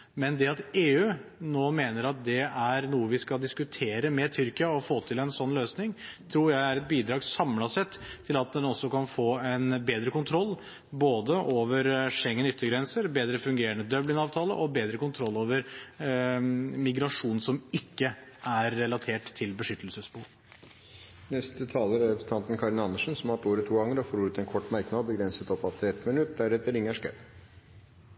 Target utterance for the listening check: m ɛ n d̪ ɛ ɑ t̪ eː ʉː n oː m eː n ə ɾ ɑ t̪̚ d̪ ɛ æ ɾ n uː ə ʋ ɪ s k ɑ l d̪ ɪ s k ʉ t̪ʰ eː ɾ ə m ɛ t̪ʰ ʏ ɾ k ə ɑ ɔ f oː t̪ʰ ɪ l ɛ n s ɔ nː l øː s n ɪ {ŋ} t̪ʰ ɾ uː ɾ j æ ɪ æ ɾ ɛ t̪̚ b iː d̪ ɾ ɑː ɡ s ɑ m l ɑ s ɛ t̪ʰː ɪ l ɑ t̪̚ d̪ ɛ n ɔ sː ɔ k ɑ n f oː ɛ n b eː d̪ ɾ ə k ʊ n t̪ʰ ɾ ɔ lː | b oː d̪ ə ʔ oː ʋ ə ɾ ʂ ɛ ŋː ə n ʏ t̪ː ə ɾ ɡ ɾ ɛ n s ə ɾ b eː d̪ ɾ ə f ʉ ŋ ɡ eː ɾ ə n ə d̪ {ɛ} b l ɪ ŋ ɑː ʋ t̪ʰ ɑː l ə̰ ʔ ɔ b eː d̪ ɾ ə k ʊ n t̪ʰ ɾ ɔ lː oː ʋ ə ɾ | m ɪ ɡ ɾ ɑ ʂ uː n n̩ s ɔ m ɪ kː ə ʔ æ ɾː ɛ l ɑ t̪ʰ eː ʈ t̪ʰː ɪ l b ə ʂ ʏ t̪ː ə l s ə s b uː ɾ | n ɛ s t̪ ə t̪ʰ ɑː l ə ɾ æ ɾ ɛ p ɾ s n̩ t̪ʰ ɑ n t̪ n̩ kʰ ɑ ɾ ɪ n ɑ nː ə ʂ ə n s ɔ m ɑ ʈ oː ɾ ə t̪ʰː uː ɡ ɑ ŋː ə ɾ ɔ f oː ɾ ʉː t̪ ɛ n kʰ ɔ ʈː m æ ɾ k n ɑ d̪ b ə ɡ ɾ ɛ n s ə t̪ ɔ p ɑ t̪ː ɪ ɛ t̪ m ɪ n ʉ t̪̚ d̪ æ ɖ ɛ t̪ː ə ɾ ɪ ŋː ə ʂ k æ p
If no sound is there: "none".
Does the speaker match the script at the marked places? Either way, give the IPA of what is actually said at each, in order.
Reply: ŋ, œ

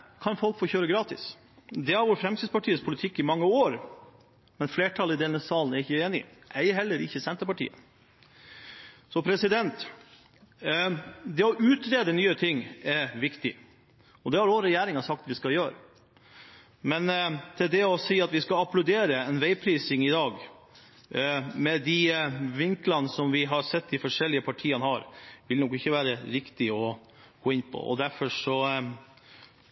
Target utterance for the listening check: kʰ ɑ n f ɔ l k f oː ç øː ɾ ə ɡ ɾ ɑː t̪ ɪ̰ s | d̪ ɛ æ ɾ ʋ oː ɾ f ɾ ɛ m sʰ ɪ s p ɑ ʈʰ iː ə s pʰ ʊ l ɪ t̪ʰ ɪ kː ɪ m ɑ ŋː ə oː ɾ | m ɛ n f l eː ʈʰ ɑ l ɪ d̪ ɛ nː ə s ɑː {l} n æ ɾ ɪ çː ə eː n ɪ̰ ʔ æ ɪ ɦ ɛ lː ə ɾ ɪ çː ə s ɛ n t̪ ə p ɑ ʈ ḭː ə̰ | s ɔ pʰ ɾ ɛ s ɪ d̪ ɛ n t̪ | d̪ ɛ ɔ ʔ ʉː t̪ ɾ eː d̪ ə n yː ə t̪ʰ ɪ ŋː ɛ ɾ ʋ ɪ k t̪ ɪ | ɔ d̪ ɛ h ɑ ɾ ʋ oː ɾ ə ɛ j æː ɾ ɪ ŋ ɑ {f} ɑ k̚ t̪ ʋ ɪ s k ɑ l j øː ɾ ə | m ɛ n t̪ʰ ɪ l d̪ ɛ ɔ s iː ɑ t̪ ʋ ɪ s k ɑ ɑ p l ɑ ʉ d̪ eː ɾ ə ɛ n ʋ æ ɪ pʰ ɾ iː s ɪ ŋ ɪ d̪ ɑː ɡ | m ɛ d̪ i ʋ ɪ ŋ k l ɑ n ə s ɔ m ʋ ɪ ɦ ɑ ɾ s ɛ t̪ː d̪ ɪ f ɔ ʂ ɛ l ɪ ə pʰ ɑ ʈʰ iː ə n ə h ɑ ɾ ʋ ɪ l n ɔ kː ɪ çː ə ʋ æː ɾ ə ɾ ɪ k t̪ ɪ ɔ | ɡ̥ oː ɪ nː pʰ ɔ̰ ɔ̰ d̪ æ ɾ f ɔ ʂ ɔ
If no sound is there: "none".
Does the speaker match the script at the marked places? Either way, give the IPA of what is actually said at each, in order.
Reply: l, s

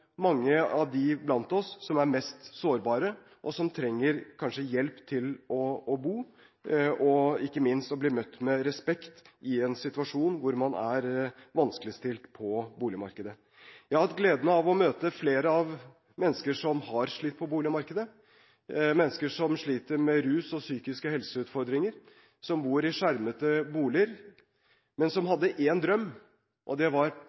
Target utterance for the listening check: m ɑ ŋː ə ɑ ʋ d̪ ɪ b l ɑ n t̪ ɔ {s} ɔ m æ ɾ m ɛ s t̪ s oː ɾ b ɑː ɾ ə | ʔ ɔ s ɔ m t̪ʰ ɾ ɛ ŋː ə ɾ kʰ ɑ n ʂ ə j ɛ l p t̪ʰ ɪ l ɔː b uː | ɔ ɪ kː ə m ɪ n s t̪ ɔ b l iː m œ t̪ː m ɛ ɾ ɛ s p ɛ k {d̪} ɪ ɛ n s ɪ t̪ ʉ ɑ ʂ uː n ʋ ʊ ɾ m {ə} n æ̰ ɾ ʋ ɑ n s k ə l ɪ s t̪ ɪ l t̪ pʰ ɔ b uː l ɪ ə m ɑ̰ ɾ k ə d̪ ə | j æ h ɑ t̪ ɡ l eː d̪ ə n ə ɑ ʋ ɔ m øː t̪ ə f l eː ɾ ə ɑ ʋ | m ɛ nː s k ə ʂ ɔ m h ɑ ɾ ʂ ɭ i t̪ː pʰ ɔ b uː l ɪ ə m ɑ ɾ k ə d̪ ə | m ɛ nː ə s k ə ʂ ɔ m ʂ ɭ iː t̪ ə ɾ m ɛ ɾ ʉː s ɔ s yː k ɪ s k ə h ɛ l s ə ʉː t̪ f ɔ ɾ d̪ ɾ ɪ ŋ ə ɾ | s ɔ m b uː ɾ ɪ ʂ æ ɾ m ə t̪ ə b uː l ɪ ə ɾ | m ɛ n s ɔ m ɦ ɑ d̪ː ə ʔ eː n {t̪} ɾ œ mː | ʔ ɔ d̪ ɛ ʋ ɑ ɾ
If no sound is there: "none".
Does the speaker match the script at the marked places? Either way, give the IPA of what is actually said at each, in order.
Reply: sː, t̪, ɑ, d̪

